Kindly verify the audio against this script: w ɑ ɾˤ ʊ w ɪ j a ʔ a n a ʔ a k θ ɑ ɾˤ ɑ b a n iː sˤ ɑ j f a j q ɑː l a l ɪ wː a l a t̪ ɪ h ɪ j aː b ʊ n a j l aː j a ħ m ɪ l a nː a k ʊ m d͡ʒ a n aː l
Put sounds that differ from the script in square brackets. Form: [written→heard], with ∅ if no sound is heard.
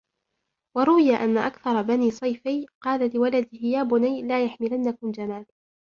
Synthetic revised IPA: w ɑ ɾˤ ʊ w ɪ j a ʔ a [n→nː] a ʔ a k θ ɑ ɾˤ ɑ b a n iː sˤ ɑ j f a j q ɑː l a l ɪ [wː→w] a l a [t̪→d̪] ɪ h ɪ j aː b ʊ n a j l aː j a ħ m ɪ l a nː a k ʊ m d͡ʒ a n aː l

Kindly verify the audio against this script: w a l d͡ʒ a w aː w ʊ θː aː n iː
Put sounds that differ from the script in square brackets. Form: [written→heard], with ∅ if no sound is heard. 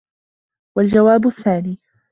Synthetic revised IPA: w a l d͡ʒ a w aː [w→b] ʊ θː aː n iː

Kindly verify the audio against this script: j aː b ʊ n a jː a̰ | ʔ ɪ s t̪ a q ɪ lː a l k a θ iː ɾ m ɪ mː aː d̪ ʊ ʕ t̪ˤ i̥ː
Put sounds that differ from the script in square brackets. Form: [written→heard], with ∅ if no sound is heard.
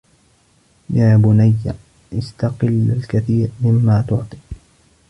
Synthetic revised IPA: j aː b ʊ n a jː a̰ | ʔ ɪ s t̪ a q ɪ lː a l k a θ iː ɾ m ɪ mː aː [d̪→t̪] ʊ ʕ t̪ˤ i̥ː

